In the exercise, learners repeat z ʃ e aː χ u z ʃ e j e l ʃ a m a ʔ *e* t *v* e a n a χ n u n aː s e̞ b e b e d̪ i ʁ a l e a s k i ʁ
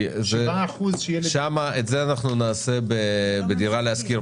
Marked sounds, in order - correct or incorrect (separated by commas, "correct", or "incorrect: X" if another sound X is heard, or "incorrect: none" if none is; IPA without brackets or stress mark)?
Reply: correct, incorrect: z